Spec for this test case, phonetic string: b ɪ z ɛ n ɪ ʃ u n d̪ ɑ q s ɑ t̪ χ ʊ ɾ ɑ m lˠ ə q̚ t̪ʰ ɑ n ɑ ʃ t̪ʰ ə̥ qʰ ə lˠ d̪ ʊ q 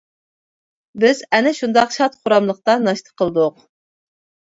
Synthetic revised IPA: b ɪ z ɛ n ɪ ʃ u n d̪ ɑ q ʃ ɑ t̪ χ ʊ ɾ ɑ m lˠ ə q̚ t̪ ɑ n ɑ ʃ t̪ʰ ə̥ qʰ ə lˠ d̪ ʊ q